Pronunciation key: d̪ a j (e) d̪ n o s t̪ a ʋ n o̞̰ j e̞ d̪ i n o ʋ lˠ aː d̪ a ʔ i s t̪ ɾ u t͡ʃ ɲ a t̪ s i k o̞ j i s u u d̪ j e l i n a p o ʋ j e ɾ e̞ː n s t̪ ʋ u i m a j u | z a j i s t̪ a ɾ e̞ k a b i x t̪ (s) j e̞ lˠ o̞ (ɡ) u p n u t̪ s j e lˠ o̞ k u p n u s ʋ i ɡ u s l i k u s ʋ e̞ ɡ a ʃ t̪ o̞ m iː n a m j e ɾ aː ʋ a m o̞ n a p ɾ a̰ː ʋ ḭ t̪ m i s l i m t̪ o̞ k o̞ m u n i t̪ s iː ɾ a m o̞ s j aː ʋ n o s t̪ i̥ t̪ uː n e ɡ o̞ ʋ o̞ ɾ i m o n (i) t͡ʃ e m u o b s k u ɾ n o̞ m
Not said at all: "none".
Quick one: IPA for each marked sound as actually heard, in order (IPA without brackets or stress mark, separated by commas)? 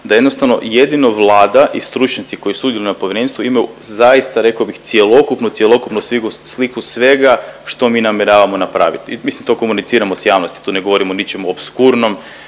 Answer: e, s, k, i